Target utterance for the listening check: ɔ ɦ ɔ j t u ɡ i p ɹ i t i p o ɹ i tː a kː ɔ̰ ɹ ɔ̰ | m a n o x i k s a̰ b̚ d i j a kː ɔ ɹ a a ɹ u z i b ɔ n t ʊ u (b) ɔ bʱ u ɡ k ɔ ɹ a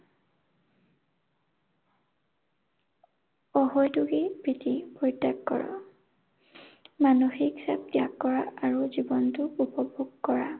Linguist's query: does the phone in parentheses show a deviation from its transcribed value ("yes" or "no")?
yes